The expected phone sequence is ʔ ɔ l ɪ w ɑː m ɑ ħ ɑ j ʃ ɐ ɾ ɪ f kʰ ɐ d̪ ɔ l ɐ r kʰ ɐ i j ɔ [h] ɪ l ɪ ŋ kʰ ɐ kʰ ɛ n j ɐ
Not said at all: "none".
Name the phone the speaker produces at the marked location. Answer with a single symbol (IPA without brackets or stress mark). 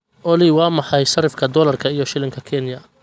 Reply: ʃ